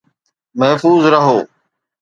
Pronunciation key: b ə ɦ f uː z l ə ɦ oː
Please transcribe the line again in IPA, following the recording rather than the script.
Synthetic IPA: m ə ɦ f uː z ɾ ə ɦ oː